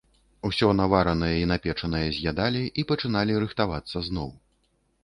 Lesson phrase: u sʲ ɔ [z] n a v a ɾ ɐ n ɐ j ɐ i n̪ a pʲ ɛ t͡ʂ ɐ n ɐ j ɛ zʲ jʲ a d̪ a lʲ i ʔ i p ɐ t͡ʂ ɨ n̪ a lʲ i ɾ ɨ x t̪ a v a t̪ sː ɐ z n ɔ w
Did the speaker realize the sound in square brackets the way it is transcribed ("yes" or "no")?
no